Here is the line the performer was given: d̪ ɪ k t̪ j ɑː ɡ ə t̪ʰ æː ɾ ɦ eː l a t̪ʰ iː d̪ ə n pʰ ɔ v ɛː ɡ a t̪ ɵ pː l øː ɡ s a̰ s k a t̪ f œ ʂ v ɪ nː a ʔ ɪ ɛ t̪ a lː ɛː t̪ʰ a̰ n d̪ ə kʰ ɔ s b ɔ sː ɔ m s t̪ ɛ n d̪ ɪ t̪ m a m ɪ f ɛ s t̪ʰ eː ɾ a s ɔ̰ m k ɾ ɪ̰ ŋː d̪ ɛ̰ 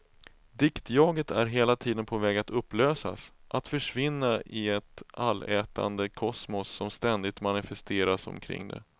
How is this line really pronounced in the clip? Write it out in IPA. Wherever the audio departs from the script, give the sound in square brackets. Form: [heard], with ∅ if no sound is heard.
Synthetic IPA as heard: d̪ ɪ k t̪ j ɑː ɡ ə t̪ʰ [æ] ɾ ɦ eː l a t̪ʰ iː d̪ ə n pʰ ɔ v ɛː ɡ a t̪ ɵ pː l øː [∅] s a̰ s [ʔ] a t̪ f œ ʂ v ɪ nː a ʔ ɪ ɛ t̪ a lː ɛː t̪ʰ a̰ n d̪ ə kʰ ɔ s [m] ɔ sː ɔ m s t̪ ɛ n d̪ ɪ t̪ m a [n] ɪ f ɛ s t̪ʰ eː ɾ a s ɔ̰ m [kʰ] ɾ ɪ̰ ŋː d̪ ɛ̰

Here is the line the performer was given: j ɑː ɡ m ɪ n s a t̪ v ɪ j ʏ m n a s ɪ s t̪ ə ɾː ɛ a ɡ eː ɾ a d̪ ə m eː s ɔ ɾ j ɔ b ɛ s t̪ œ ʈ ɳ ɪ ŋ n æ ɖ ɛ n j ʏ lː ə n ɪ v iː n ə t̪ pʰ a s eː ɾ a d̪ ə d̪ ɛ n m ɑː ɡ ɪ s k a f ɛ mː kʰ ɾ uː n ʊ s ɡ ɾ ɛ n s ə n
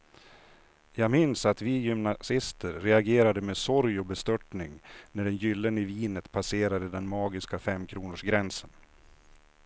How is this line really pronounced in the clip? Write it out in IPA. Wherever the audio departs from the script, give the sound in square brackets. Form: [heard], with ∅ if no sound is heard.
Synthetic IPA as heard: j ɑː ɡ m ɪ n s a t̪ v ɪ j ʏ m n a s ɪ s t̪ ə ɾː ɛ a ɡ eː ɾ a d̪ ə m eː s ɔ ɾ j ɔ b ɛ s t̪ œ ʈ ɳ ɪ ŋ n æ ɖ ɛ n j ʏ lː ə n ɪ v iː n ə t̪ pʰ a s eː ɾ a d̪ ə d̪ ɛ n m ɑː ɡ ɪ s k a f ɛ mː kʰ ɾ uː n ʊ [ʂ] ɡ ɾ ɛ n s ə n

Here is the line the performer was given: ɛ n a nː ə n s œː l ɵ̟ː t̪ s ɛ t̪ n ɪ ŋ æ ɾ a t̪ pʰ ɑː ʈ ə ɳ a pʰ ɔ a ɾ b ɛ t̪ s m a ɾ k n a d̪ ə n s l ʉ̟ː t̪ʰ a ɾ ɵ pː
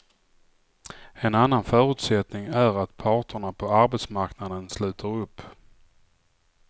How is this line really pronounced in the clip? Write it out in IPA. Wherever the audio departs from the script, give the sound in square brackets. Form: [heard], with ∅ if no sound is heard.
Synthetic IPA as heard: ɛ n a nː [a] n [f] œː [ɾ] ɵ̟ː t̪ s ɛ t̪ n ɪ ŋ æ ɾ a t̪ pʰ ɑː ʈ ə ɳ a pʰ ɔ a ɾ b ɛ t̪ s m a ɾ k n a d̪ ə n s l ʉ̟ː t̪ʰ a ɾ ɵ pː

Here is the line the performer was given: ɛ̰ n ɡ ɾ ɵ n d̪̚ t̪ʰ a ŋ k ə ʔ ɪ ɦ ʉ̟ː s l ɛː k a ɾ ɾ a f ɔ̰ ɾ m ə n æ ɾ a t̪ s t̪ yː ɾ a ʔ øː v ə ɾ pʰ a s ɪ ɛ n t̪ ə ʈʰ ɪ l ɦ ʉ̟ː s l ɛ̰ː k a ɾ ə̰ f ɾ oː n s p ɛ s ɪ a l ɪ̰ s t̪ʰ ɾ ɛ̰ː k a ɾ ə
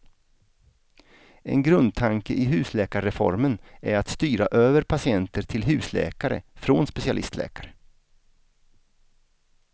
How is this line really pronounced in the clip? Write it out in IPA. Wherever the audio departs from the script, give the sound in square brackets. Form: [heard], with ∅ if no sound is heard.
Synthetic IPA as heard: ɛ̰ n ɡ ɾ ɵ n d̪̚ t̪ʰ a ŋ k ə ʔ ɪ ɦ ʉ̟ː s l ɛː k a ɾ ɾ [ɛ] f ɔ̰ ɾ m ə n æ ɾ a t̪ s t̪ yː ɾ a ʔ øː v ə ɾ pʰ a s ɪ ɛ n t̪ ə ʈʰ ɪ l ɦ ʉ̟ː s l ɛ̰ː k a ɾ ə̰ f ɾ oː n s p ɛ s ɪ a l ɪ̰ s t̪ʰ [l] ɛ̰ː k a ɾ ə

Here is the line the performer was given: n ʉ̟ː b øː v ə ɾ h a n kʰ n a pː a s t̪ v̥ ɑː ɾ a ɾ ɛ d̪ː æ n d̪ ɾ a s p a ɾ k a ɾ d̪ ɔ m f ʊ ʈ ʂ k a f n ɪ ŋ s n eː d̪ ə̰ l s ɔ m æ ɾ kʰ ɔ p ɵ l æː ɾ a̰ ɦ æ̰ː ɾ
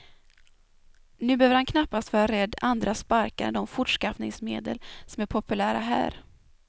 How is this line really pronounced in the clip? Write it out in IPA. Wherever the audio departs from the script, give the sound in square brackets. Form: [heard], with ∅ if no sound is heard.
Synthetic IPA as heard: n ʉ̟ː b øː v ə ɾ h a n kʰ n a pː a s t̪ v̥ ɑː ɾ a ɾ ɛ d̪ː [a] n d̪ ɾ a s p a ɾ k a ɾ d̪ ɔ m f ʊ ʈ ʂ k a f n ɪ ŋ s [m] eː d̪ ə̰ l s ɔ m æ ɾ [pʰ] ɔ p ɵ l æː ɾ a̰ ɦ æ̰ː ɾ

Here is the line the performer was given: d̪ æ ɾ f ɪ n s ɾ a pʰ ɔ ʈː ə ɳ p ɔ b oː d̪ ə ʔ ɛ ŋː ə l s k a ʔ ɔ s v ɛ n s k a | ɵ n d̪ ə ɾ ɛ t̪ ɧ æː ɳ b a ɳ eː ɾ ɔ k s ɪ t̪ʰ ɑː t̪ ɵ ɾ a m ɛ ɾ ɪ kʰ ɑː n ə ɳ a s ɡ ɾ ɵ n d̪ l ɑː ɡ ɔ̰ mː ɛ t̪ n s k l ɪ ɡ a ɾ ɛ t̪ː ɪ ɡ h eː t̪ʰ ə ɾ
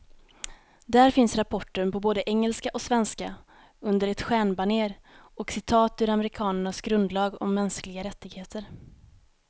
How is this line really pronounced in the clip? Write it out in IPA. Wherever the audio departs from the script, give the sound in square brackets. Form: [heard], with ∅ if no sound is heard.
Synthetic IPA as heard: d̪ æ ɾ f ɪ n s ɾ a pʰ ɔ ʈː ə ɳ p ɔ b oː d̪ ə ʔ ɛ ŋː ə l s k a ʔ ɔ s v ɛ n s k a | ɵ n d̪ ə ɾ ɛ t̪ ɧ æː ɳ b a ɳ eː ɾ ɔ k s ɪ t̪ʰ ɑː t̪ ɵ ɾ a m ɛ ɾ ɪ kʰ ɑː n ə ɳ a s ɡ ɾ ɵ n d̪ l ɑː ɡ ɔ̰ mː ɛ [∅] n s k l ɪ ɡ a ɾ ɛ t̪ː ɪ ɡ h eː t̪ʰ ə ɾ

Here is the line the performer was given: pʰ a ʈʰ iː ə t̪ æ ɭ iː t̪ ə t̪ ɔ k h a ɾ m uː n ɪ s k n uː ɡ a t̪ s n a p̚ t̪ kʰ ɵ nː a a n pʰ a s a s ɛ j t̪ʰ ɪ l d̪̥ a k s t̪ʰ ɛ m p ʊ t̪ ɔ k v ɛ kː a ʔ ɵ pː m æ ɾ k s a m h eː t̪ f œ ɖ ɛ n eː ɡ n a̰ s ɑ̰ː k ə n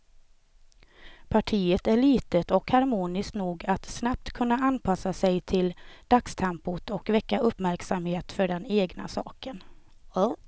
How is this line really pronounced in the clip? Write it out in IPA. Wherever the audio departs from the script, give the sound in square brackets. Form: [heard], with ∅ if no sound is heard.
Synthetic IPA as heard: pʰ a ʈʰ iː ə t̪ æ ɭ iː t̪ ə t̪ ɔ k h a ɾ m uː n ɪ s k n uː ɡ a t̪ s n a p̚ t̪ kʰ ɵ nː a a n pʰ a s a s ɛ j t̪ʰ ɪ l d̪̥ a k s t̪ʰ ɛ m p ʊ t̪ ɔ k v ɛ kː a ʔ ɵ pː m æ ɾ k s a m h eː t̪ f œ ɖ ɛ n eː ɡ n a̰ s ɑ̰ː k ə n

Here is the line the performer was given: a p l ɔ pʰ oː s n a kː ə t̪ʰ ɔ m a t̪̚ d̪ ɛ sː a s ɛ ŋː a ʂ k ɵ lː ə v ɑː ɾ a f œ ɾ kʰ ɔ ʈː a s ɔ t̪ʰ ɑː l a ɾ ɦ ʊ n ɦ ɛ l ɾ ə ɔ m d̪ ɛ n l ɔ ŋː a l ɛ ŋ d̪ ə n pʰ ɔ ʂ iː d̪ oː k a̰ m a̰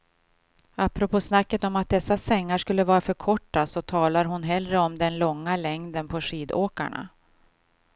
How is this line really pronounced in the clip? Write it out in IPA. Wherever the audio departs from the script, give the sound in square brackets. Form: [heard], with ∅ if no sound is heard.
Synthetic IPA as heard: a p [ɾ] ɔ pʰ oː s n a kː ə [t̪] ɔ m a t̪̚ d̪ ɛ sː a s ɛ ŋː a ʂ k ɵ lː ə v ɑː ɾ a f œ ɾ kʰ ɔ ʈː a s ɔ t̪ʰ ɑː l a ɾ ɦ ʊ n ɦ ɛ l ɾ ə ɔ m d̪ ɛ n l ɔ ŋː a l ɛ ŋ d̪ ə n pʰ ɔ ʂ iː d̪ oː k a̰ [ɳ] a̰

